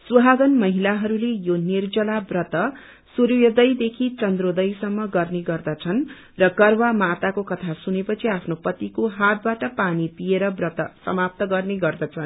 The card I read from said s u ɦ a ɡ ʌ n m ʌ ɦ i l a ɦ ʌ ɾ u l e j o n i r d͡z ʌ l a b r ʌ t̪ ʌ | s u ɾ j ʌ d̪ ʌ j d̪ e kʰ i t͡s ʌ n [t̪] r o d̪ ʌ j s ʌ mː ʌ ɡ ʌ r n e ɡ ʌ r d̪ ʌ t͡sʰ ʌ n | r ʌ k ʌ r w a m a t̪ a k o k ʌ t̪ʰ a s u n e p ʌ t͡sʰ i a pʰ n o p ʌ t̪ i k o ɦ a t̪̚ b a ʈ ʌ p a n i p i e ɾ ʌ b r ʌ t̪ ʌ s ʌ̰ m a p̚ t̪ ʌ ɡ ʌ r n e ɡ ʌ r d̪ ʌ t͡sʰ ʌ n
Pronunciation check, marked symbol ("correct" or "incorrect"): incorrect